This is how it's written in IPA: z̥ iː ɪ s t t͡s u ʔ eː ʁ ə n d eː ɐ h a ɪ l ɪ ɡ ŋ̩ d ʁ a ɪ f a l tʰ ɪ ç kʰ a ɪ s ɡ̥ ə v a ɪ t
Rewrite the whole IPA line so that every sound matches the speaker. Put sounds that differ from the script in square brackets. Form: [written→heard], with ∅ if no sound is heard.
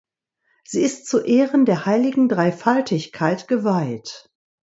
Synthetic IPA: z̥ iː ɪ s t t͡s u ʔ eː ʁ ə n d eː ɐ h a ɪ l ɪ ɡ ŋ̩ d ʁ a ɪ f a l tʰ ɪ ç kʰ a ɪ [s→t] ɡ̥ ə v a ɪ t

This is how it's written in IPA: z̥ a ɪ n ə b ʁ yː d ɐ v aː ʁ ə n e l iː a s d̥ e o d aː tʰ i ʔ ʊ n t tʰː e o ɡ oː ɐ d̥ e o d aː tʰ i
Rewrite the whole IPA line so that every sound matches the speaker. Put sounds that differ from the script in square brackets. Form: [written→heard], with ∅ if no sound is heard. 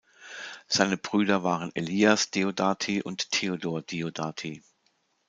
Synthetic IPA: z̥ a ɪ n ə b ʁ yː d ɐ v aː ʁ ə n e l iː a s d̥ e o d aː tʰ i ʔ ʊ n t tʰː e o [ɡ→d] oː ɐ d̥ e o d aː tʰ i

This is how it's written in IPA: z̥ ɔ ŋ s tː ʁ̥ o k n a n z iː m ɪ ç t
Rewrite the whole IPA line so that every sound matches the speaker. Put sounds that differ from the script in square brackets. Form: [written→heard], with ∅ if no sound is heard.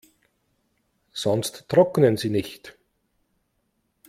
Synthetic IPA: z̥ ɔ [ŋ→n] s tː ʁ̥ [o→ɔ] k n [a→ə] n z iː [m→n] ɪ ç t

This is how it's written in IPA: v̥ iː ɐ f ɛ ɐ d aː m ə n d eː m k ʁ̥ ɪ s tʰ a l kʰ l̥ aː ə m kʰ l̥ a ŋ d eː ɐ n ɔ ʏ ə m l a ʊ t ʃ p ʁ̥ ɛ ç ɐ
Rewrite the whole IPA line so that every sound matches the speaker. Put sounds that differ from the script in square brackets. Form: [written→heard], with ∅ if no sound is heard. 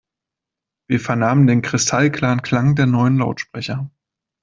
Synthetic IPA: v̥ iː ɐ f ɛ ɐ [d→n] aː m ə n d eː [m→n] k ʁ̥ ɪ s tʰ a l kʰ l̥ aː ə [m→n] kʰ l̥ a ŋ d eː ɐ n ɔ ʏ ə [m→n] l a ʊ t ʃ p ʁ̥ ɛ ç ɐ

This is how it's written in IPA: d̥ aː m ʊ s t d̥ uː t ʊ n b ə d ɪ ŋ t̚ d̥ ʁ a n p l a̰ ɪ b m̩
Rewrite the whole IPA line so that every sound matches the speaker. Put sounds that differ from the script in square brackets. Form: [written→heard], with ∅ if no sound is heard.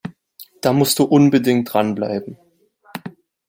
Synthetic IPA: d̥ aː m ʊ s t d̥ uː [t→ʔ] ʊ n b ə d ɪ ŋ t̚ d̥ ʁ a n [p→b] l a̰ ɪ b m̩

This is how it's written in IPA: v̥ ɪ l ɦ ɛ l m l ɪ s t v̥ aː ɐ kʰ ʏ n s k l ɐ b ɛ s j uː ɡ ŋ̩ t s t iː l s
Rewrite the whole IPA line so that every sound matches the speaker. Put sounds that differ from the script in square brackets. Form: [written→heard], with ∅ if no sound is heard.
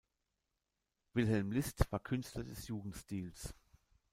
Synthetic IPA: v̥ ɪ l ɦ ɛ l m l ɪ s t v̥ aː ɐ kʰ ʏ n s [k→t] l ɐ [b→d] ɛ s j uː ɡ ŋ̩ t s t iː l s

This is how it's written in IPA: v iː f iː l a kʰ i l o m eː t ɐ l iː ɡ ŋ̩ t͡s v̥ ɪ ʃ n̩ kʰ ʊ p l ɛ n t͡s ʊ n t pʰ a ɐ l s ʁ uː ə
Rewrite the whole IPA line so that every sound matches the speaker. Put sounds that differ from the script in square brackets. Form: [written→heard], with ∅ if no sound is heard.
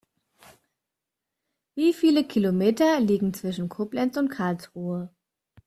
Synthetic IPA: v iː f iː l [a→ə] kʰ i l o m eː t ɐ l iː ɡ ŋ̩ t͡s v̥ ɪ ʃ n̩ kʰ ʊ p l ɛ n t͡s ʊ n t [pʰ→kʰ] a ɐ l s ʁ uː ə

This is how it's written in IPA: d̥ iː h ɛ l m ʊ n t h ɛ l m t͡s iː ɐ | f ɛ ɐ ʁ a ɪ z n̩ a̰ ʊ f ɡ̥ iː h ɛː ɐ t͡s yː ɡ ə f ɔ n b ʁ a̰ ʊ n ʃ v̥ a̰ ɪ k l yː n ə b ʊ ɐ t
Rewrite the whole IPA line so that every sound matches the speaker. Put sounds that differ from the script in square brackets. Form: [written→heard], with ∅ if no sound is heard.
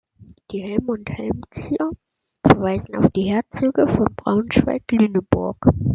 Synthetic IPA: d̥ iː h ɛ l m ʊ n t h ɛ l m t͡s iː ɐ | f ɛ ɐ [ʁ→v] a ɪ z n̩ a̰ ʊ f [ɡ̥→d̥] iː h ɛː ɐ t͡s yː ɡ ə f ɔ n b ʁ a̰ ʊ n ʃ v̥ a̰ ɪ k l yː n ə b ʊ ɐ [t→k]

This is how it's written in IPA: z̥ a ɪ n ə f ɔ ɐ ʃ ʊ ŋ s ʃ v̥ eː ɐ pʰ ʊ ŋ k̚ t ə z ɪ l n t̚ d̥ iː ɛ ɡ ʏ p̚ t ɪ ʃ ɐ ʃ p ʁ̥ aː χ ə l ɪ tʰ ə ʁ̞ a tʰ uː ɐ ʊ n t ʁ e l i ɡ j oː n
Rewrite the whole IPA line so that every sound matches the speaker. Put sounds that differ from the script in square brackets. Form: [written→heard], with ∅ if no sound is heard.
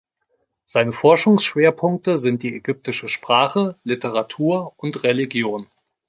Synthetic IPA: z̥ a ɪ n ə f ɔ ɐ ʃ ʊ ŋ s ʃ v̥ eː ɐ pʰ ʊ ŋ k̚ t ə z ɪ [l→∅] n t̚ d̥ iː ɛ ɡ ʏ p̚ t ɪ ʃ [ɐ→ə] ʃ p ʁ̥ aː χ ə l ɪ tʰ ə ʁ̞ a tʰ uː ɐ ʊ n t ʁ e l i ɡ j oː n

